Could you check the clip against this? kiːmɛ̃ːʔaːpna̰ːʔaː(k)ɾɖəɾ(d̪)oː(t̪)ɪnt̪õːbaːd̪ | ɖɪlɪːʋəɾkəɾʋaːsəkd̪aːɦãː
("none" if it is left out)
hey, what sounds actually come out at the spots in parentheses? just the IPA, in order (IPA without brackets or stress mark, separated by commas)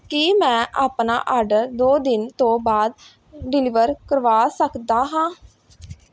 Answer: none, d̪, d̪